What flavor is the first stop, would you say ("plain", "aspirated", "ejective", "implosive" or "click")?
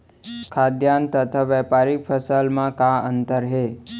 aspirated